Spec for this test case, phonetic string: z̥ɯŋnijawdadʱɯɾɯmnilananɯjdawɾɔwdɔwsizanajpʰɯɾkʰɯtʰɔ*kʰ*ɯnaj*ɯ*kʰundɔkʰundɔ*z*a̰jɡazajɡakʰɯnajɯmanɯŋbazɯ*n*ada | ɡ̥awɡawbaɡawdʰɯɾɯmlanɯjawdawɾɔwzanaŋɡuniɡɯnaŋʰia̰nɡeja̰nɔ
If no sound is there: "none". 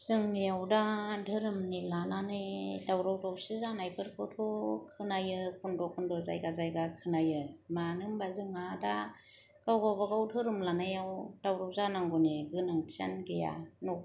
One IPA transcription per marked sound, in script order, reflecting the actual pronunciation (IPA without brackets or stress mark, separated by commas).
kʰ, ɯ, z, ŋ